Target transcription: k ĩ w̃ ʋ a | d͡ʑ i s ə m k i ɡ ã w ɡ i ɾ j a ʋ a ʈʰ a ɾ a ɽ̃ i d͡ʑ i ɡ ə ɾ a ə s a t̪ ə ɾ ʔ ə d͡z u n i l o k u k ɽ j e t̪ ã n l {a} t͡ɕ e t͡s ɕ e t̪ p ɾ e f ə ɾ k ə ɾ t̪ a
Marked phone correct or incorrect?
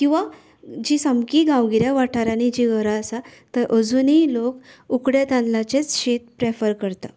correct